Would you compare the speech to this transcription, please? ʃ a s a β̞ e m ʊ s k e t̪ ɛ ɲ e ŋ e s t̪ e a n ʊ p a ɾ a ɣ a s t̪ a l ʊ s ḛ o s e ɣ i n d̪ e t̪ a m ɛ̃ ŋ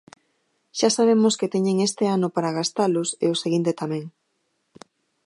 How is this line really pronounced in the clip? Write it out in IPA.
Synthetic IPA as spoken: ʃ a s a β̞ e m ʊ s k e t̪ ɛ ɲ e ŋ e s t̪ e a n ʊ p a ɾ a ɣ a s t̪ a l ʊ s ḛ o s e ɣ i n t̪ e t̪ a m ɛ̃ ŋ